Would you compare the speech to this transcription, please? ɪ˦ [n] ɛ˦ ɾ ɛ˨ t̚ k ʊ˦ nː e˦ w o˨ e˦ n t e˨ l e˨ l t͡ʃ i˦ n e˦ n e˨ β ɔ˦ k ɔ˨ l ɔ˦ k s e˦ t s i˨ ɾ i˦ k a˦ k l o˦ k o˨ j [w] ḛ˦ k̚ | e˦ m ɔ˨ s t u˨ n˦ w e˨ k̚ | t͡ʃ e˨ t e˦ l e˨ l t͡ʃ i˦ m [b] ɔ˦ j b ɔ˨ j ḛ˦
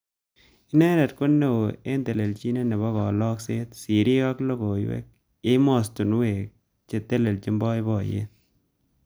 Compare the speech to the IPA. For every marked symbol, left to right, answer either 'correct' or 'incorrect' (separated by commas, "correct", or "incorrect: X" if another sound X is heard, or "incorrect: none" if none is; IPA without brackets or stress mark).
correct, correct, correct